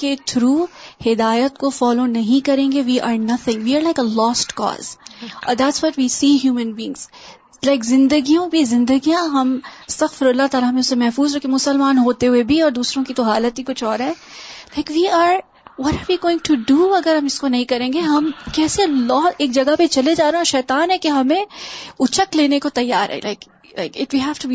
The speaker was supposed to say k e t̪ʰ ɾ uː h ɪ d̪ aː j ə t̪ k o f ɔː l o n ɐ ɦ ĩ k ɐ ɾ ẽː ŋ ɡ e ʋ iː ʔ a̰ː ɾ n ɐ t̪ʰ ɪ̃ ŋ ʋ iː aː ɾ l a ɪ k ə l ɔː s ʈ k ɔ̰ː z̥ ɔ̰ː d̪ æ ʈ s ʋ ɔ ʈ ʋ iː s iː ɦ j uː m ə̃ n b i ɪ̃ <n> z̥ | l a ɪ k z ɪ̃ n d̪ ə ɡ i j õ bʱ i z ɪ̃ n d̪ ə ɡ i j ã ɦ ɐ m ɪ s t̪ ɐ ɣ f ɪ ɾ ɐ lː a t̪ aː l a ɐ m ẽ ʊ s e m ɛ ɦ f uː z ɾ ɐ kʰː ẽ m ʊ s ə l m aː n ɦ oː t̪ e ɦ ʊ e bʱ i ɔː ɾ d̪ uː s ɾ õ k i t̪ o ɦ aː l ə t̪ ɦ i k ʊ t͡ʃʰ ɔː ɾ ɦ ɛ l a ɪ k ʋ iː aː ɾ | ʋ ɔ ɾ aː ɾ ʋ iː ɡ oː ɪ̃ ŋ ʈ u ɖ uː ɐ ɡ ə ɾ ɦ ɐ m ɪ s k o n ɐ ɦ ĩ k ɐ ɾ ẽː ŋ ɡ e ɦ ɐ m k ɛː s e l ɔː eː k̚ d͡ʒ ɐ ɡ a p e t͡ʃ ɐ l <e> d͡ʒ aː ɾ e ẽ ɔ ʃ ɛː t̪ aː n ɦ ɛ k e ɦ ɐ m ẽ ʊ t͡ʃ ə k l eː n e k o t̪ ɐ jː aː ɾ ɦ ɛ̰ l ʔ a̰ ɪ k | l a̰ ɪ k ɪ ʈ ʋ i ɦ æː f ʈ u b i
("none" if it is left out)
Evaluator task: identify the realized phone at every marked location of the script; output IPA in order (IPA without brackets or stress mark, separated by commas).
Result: ŋ, e